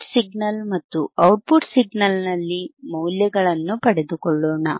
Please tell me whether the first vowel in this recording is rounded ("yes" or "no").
no